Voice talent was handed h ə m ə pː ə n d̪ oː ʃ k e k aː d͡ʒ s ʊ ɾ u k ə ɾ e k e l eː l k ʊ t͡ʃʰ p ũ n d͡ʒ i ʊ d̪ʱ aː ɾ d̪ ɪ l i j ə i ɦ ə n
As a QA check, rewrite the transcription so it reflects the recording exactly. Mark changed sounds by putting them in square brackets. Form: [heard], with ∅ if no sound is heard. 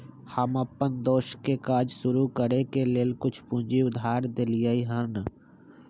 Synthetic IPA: h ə m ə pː ə n d̪ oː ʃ k e k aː d͡ʒ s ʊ ɾ u k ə ɾ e k e l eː l k ʊ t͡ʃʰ p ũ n d͡ʒ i ʊ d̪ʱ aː ɾ d̪ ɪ l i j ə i ɦ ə n